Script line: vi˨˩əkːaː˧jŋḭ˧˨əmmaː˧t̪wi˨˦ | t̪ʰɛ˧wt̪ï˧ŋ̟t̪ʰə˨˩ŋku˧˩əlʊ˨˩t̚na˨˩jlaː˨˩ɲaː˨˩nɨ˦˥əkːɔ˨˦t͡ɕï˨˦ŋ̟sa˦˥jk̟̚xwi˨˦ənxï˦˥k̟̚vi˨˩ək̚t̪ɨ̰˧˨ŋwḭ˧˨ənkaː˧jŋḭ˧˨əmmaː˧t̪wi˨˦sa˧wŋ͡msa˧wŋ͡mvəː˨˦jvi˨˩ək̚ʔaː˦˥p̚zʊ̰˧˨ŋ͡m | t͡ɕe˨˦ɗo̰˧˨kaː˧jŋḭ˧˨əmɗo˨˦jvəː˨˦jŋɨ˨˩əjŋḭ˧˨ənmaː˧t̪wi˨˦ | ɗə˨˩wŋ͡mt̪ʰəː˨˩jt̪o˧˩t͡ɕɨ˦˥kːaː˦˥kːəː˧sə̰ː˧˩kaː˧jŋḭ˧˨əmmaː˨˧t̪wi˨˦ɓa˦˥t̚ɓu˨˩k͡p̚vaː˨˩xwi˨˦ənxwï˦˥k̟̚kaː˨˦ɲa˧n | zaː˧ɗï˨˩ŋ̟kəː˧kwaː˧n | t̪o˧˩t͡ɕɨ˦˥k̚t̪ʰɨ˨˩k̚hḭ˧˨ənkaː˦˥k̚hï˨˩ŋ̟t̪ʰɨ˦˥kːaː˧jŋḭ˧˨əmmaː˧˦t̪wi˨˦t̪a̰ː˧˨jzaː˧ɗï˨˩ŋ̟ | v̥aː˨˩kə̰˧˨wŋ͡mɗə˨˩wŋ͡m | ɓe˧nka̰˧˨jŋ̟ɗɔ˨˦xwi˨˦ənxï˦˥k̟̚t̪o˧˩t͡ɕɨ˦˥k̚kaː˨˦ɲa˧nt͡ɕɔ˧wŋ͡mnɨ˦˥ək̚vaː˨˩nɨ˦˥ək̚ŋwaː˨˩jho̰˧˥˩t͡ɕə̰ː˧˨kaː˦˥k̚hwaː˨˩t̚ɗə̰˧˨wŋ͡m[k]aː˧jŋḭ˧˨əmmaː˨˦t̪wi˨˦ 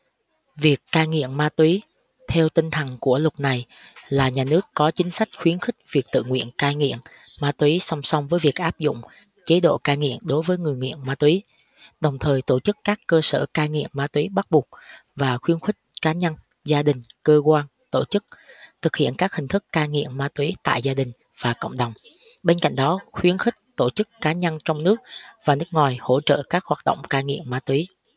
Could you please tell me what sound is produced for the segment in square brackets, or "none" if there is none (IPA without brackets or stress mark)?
k